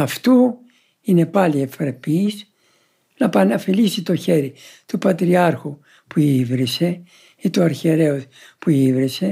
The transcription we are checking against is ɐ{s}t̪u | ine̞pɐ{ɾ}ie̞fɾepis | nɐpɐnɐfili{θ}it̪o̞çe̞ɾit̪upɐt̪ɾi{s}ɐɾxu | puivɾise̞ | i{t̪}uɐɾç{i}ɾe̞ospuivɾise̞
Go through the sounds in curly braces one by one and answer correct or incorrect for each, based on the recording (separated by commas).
incorrect, incorrect, incorrect, incorrect, correct, incorrect